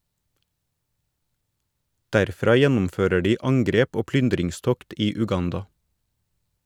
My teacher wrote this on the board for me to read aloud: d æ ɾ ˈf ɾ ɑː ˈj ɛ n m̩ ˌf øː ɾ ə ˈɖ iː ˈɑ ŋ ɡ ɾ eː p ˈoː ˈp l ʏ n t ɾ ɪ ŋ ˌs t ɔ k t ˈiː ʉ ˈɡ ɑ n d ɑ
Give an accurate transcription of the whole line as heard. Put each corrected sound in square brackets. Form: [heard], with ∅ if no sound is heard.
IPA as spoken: d æ ɾ ˈf ɾ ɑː ˈj ɛ n m̩ ˌf øː ɾ ə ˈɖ iː ˈɑ ŋ ɡ ɾ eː p ˈoː ˈp l ʏ n [d] ɾ ɪ ŋ ˌs t ɔ k t ˈiː ʉ ˈɡ ɑ n d ɑ